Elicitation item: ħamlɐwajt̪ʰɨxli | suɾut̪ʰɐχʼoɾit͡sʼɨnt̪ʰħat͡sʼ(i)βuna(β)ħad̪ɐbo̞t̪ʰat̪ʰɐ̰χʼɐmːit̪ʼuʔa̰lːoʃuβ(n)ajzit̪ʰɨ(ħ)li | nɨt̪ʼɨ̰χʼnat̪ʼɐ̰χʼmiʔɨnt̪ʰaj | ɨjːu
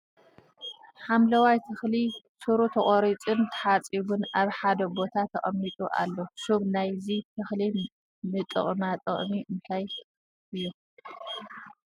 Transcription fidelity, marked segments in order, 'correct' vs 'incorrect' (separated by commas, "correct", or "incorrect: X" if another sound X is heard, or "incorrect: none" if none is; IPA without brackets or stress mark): correct, correct, correct, incorrect: x